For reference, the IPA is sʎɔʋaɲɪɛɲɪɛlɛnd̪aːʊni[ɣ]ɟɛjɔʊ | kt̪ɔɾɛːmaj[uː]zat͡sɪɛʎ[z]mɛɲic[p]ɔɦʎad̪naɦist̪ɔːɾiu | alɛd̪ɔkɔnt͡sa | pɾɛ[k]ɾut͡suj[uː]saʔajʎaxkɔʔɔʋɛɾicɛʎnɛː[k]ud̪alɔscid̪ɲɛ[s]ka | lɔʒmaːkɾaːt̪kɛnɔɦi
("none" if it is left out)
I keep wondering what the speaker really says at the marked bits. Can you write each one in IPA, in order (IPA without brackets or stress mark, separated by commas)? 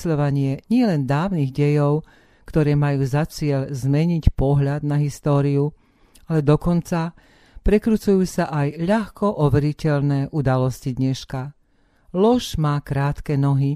ɣ, uː, z, p, k, uː, ʔ, ʃ